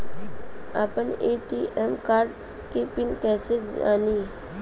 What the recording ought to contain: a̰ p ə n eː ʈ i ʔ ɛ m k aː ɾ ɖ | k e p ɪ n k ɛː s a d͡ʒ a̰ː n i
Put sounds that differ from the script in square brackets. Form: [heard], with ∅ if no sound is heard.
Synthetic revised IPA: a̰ p ə n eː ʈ i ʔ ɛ m k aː ɾ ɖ | k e p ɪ n k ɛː s [e] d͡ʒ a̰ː n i